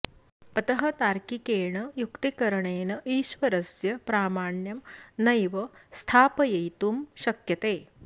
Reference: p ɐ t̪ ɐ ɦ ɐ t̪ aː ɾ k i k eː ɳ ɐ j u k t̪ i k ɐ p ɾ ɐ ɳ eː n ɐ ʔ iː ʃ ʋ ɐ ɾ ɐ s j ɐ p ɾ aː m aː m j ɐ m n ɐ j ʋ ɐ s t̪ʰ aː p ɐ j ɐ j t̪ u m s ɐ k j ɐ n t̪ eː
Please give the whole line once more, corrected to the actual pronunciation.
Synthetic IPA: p ɐ t̪ ɐ ɦ ɐ t̪ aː ɾ k i k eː ɳ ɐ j u k t̪ i k ɐ ɾ ɐ ɳ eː n ɐ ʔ iː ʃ ʋ ɐ ɾ ɐ s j ɐ p ɾ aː m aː ɳ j ɐ m n ɐ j ʋ ɐ s t̪ʰ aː p ɐ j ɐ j t̪ u m ʃ ɐ k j ɐ t̪ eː

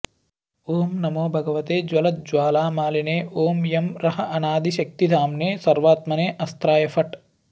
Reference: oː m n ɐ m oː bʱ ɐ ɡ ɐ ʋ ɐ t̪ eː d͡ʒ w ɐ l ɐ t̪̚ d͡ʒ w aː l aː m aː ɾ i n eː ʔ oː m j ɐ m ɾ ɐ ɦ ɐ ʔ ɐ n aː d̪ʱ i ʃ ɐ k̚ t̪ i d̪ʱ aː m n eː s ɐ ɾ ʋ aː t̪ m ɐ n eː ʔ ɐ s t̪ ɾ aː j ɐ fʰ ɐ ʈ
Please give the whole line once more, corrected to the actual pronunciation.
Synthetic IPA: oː m n ɐ m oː bʱ ɐ ɡ ɐ ʋ ɐ t̪ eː d͡ʒ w ɐ l ɐ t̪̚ d͡ʒ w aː l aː m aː l i n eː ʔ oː m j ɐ m ɾ ɐ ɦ ɐ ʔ ɐ n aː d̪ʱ i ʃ ɐ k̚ t̪ i d̪ʱ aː m n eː s ɐ ɾ ʋ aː t̪ m ɐ n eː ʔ ɐ s t̪ ɾ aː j ɐ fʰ ɐ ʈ

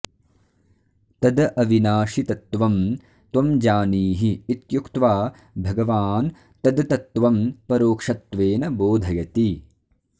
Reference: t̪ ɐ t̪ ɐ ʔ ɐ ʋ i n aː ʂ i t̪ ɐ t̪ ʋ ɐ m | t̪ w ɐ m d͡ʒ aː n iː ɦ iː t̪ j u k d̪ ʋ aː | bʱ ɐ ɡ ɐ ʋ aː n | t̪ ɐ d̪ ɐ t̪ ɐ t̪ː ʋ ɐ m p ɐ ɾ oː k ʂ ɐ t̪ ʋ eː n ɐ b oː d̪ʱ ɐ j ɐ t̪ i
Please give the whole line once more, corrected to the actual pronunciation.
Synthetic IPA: t̪ ɐ d̪ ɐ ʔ ɐ ʋ i n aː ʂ i t̪ ɐ t̪ ʋ ɐ m | t̪ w ɐ m d͡ʒ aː n iː ɦ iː t̪ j u k t̪ ʋ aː | bʱ ɐ ɡ ɐ ʋ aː n | t̪ ɐ d̪ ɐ t̪ ɐ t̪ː ʋ ɐ m p ɐ ɾ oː k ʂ ɐ t̪ ʋ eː n ɐ b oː d̪ʱ ɐ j ɐ t̪ i

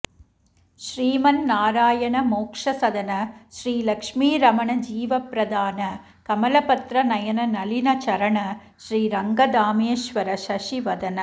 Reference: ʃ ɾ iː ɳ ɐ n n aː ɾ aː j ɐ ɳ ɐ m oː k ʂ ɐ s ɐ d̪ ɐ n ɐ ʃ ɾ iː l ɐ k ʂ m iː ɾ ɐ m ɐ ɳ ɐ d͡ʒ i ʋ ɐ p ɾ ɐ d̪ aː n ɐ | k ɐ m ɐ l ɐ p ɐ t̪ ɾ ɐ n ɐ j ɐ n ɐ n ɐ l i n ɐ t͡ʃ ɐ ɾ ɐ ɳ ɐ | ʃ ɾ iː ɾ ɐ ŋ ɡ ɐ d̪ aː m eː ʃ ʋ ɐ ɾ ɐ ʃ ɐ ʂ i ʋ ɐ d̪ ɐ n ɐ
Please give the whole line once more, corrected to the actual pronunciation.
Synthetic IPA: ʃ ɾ iː m ɐ n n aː ɾ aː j ɐ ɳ ɐ m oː k ʂ ɐ s ɐ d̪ ɐ n ɐ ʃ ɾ iː l ɐ k ʂ m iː ɾ ɐ m ɐ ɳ ɐ d͡ʒ iː ʋ ɐ p ɾ ɐ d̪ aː n ɐ | k ɐ m ɐ l ɐ p ɐ t̪ ɾ ɐ n ɐ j ɐ n ɐ n ɐ l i n ɐ t͡ʃ ɐ ɾ ɐ ɳ ɐ | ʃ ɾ iː ɾ ɐ ŋ ɡ ɐ d̪ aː m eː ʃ ʋ ɐ ɾ ɐ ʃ ɐ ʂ i ʋ ɐ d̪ ɐ n ɐ

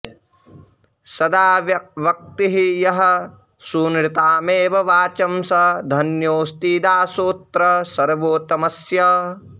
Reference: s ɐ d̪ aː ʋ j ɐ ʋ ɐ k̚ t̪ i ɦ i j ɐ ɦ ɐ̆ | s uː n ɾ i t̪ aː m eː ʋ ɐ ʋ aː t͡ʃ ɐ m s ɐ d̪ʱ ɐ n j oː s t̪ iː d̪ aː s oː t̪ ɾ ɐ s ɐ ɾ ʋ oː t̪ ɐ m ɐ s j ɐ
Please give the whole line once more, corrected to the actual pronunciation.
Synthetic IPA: s ɐ d̪ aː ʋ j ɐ ʋ ɐ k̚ t̪ i ɦ i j ɐ ɦ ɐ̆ | s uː n ɾ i t̪ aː m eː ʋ ɐ ʋ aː t͡ʃ ɐ m s ɐ d̪ʱ ɐ n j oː s t̪ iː d̪ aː s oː t̪ ɾ ɐ s ɐ ɾ ʋ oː t̪ ɐ m ɐ s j ɐ

